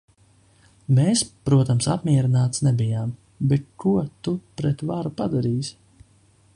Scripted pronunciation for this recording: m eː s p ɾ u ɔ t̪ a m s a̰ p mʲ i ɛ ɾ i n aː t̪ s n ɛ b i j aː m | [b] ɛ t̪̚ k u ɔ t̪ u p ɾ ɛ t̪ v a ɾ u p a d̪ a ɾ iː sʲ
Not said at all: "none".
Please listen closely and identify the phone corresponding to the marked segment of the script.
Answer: b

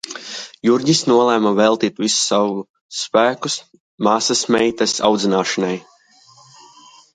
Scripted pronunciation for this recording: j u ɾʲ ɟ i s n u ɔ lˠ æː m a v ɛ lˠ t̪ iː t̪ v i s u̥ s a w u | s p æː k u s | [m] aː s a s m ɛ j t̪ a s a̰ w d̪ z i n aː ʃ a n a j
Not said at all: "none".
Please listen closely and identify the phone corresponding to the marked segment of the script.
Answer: m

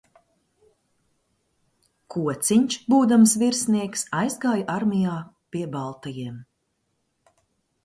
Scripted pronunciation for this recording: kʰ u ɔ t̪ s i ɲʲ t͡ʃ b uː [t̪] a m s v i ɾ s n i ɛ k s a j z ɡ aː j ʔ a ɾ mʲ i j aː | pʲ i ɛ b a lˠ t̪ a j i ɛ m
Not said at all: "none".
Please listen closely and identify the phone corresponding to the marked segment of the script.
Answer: d̪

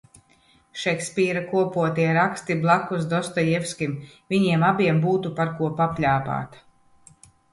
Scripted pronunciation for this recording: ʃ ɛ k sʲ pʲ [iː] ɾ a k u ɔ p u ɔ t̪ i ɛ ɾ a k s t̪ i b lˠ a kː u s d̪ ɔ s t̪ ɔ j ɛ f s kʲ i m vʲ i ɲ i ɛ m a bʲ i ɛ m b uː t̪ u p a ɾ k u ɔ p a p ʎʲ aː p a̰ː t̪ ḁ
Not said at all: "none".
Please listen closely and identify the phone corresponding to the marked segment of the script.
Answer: iː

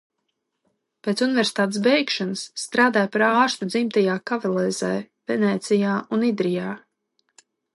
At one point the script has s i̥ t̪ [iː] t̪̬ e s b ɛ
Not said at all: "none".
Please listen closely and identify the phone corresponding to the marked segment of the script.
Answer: aː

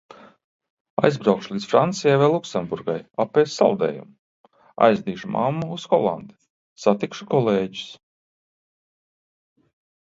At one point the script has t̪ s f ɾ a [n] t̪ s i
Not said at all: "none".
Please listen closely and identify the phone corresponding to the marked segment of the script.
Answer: n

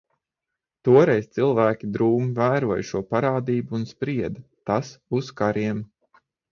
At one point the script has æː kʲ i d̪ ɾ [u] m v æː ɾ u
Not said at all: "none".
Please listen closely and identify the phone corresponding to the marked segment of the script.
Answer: uː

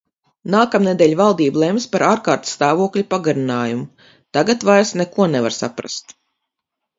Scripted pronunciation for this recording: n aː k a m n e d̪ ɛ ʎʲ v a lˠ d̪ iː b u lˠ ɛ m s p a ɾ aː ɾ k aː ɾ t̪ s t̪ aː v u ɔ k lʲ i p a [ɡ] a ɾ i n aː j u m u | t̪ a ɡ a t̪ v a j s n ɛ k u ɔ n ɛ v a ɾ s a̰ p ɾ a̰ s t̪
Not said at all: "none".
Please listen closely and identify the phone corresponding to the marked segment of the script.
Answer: ɡ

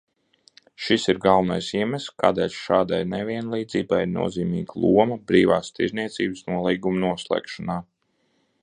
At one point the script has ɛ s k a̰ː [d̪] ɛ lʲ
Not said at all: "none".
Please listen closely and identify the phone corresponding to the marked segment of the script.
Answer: d̪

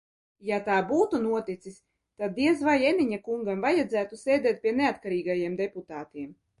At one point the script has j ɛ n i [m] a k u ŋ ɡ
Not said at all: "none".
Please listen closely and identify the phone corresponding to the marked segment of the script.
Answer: ɲ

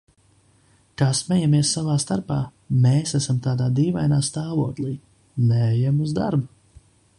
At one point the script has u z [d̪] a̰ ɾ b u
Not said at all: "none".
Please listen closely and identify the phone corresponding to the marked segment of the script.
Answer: d̪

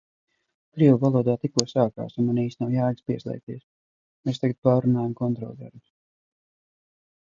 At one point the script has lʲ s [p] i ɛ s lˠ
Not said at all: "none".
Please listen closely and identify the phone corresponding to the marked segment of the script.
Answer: p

